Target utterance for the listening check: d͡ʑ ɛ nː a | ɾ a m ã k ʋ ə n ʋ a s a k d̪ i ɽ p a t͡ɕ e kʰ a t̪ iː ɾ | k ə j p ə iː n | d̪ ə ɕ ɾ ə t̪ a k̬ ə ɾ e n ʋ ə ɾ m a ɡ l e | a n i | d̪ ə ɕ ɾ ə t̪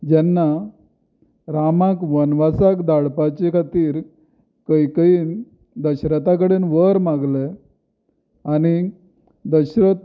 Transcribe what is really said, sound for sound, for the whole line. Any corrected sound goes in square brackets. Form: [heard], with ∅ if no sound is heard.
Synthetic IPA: d͡ʑ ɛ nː a | ɾ a m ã k ʋ ə n ʋ a s a k d̪ [a] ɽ p a t͡ɕ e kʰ a t̪ iː ɾ | k ə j [k] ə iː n | d̪ ə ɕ ɾ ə t̪ a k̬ ə [ɽ] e n ʋ ə ɾ m a ɡ l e | a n i | d̪ ə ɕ ɾ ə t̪